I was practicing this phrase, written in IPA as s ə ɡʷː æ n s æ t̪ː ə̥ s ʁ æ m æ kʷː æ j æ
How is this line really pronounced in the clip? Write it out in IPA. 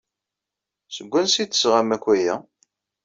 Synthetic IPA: s ə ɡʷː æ n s i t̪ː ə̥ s ʁ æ m æ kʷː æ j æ